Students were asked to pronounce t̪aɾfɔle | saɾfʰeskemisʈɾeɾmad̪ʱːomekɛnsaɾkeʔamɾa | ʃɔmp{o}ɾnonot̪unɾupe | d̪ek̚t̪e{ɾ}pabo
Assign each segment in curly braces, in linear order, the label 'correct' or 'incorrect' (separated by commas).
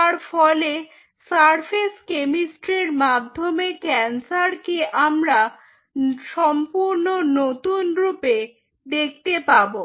incorrect, incorrect